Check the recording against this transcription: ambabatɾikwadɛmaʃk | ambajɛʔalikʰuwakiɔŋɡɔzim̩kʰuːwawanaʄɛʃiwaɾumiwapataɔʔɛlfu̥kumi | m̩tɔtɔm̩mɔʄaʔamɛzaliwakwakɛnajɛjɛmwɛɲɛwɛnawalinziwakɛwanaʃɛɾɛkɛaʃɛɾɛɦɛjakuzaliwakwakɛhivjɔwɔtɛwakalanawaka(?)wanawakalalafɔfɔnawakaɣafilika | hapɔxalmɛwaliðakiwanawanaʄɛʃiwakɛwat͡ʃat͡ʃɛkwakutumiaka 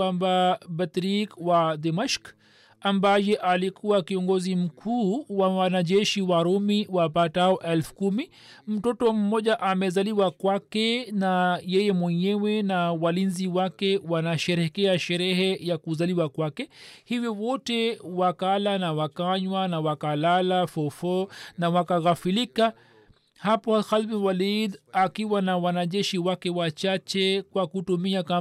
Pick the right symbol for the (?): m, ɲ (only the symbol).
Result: ɲ